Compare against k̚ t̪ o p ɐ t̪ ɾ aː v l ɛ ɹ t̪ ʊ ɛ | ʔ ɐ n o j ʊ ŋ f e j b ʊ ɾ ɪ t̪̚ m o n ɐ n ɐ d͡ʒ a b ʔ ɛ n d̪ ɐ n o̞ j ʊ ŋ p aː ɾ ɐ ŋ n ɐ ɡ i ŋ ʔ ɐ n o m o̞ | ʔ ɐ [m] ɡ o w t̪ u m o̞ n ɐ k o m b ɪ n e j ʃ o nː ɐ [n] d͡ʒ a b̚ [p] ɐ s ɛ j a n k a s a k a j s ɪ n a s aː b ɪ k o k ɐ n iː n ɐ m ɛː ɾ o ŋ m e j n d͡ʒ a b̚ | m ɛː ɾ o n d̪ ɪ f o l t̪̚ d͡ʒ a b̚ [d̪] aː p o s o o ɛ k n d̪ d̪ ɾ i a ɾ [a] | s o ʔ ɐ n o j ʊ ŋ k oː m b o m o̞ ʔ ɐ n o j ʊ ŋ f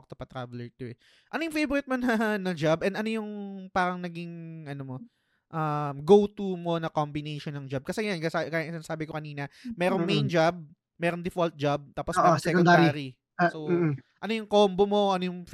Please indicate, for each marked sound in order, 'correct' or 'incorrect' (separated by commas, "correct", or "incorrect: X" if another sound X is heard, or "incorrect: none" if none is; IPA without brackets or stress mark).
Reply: correct, incorrect: ŋ, incorrect: k, incorrect: t̪, incorrect: i